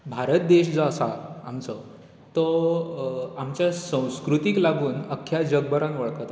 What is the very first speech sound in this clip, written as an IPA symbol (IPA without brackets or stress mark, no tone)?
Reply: bʱ